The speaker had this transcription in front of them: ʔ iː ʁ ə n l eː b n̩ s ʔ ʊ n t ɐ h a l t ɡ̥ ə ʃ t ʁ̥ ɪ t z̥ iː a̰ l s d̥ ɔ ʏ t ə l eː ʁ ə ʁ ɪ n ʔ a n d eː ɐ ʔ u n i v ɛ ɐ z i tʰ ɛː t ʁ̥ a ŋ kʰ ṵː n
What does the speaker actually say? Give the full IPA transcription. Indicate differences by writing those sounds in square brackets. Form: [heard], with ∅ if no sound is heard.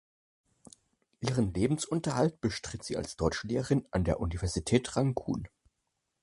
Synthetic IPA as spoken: ʔ iː ʁ ə n l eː b [m̩] s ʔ ʊ n t ɐ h a l t [b̥] ə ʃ t ʁ̥ ɪ t z̥ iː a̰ l s d̥ ɔ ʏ [t͡ʃ] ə l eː ʁ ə ʁ ɪ n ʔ a n d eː ɐ ʔ u n i v ɛ ɐ z i tʰ ɛː t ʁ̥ a ŋ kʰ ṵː n